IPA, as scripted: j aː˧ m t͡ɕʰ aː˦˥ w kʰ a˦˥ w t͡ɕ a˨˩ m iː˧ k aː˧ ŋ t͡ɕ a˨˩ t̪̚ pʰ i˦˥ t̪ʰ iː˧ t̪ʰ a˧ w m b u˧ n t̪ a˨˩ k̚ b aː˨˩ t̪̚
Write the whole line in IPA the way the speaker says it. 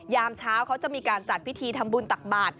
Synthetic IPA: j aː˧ m t͡ɕʰ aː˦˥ w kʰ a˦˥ w t͡ɕ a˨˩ m iː˧ k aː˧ n t͡ɕ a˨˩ t̪̚ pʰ i˦˥ t̪ʰ iː˧ t̪ʰ a˧ m b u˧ n t̪ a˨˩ k̚ b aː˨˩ t̪̚